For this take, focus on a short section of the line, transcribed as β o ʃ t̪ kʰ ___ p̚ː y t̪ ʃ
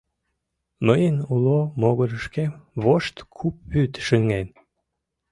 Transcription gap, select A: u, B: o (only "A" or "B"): A